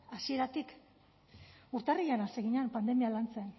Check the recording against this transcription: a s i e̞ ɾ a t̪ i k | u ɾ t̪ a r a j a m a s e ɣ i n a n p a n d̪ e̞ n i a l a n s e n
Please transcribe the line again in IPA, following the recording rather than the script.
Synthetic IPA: a s i e̞ ɾ a t̪ i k | u ɾ t̪ a r i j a n a s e ɣ i ɲ a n p a n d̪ e̞ m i a l a n t͡s e n

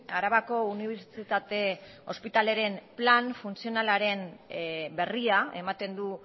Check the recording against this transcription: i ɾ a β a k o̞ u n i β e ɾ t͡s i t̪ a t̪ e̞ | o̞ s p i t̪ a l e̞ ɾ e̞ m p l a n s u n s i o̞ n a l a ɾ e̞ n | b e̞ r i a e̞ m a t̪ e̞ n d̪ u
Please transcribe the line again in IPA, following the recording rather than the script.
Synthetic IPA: a ɾ a β a k o̞ u n i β e ɾ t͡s i t̪ a t̪ e̞ | o̞ s p i t̪ a l e̞ ɾ e̞ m p l a n f u n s i o̞ n a l a ɾ e̞ n | b e̞ r i a e̞ m a t̪ e̞ n d̪ u

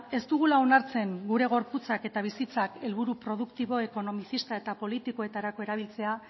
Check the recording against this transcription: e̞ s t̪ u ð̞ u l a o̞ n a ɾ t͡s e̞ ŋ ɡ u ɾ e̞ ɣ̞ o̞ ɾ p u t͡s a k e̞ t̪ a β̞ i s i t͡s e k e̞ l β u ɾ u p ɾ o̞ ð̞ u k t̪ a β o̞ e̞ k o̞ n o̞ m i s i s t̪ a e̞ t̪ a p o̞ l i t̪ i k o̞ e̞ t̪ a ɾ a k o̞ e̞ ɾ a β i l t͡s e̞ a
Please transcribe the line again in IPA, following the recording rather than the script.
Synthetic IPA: e̞ s t̪ u ɣ̞ u l a o̞ n a ɾ t͡s e̞ ŋ ɡ u ɾ e̞ ɣ̞ o̞ ɾ p u t͡s a k e̞ t̪ a β̞ i s i t͡s a k e̞ l β u ɾ u p ɾ o̞ ð̞ u k t̪ i β o̞ e̞ k o̞ n o̞ m i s i s t̪ a e̞ t̪ a p o̞ l i t̪ i k o̞ e̞ t̪ a ɾ a k o̞ e̞ ɾ a β i l t͡s e̞ a

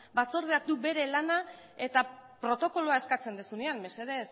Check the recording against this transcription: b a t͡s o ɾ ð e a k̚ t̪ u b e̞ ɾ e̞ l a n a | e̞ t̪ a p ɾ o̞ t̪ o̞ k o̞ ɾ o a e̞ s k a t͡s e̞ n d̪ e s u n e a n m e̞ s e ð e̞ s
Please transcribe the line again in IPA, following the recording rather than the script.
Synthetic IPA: b a t͡s o ɾ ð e a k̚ d̪ u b e̞ ɾ e̞ l a n a | e̞ t̪ a p ɾ o̞ t̪ o̞ k o̞ l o a e̞ s k a t͡s e̞ n d̪ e s u n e a n m e̞ s e ð e̞ s

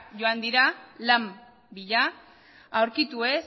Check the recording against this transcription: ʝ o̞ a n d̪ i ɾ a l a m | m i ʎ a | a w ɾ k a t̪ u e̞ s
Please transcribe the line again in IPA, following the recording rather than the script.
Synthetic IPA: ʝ o̞ a n d̪ i ɾ a l a m | b i ʎ a | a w ɾ k i t̪ u e̞ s

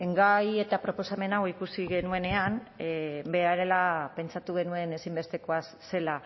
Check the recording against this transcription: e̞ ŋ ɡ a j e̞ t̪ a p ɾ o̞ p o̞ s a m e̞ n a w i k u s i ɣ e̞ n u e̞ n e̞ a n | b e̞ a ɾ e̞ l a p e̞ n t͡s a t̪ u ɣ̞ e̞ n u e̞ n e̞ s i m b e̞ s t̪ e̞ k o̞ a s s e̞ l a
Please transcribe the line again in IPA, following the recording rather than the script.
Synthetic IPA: e̞ ŋ ɡ a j e̞ t̪ a p ɾ o̞ p o̞ s a m e̞ n a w i k u s i ɣ e̞ n u e̞ n e̞ a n | b e̞ a ɾ e̞ l a p e̞ n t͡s a t̪ u ɣ̞ e̞ n u e̞ n e̞ s i m b e̞ s t̪ e̞ k o̞ a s s e̞ l a

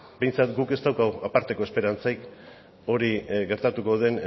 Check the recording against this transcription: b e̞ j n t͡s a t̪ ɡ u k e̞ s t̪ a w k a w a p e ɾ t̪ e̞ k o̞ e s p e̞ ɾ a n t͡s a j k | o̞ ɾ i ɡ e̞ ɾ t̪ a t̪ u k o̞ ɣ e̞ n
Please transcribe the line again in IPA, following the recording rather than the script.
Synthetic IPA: b e̞ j n t͡s a t̪ ɡ u k e̞ s t̪ a w k a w a p a ɾ t̪ e̞ k o̞ e s p e̞ ɾ a n t͡s a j k | o̞ ɾ i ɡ e̞ ɾ t̪ a t̪ u k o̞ ð e̞ n

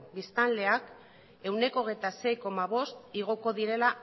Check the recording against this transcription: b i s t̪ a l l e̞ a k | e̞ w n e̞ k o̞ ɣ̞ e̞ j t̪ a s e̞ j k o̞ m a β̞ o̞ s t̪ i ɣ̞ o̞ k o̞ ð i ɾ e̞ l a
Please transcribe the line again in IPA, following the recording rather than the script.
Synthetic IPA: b i s t̪ a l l e̞ a k | e̞ w n e̞ k o̞ ɣ̞ e̞ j t̪ a s e̞ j k o̞ m a β̞ o̞ s t̪ i ɣ̞ o̞ k o̞ ð i ɾ e̞ l a

